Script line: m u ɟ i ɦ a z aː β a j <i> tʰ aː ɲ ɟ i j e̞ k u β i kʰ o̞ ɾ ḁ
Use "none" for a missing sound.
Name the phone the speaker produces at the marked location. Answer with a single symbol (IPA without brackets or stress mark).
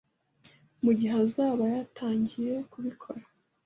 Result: a